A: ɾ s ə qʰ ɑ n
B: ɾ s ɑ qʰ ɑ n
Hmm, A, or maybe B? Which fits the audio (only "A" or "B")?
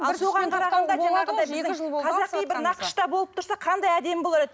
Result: B